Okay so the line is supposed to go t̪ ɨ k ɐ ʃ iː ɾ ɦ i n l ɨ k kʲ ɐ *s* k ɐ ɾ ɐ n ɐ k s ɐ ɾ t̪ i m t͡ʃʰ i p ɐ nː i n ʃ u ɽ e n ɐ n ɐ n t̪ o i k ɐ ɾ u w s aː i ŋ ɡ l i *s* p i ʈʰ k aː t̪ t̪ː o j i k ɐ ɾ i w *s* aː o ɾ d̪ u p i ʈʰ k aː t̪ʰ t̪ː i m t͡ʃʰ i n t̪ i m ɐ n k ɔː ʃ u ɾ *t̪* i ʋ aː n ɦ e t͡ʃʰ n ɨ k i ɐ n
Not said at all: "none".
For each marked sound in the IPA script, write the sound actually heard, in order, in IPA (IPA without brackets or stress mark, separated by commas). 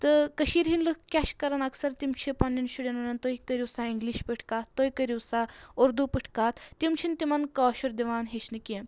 ʃ, ʃ, s, d̪